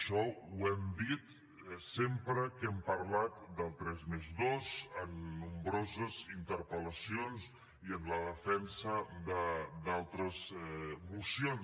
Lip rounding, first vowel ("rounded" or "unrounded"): rounded